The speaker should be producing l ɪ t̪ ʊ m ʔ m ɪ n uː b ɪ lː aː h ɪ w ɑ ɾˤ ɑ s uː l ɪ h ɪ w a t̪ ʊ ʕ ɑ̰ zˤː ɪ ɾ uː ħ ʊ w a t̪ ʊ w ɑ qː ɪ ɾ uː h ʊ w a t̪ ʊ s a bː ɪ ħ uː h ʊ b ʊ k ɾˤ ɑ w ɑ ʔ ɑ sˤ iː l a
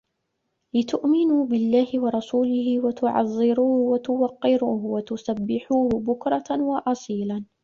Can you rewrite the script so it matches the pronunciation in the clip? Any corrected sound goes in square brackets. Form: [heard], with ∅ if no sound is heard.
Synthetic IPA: l ɪ t̪ ʊ [∅] ʔ m ɪ n uː b ɪ lː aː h ɪ w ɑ ɾˤ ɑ s uː l ɪ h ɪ w a t̪ ʊ ʕ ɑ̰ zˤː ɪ ɾ uː [h] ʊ w a t̪ ʊ w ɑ qː ɪ ɾ uː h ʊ w a t̪ ʊ s a bː ɪ ħ uː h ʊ b ʊ k ɾˤ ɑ w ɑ ʔ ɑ sˤ iː l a